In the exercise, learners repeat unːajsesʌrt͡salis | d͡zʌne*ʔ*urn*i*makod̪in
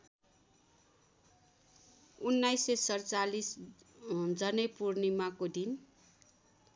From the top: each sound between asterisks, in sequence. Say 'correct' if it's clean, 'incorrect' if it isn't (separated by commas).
incorrect, correct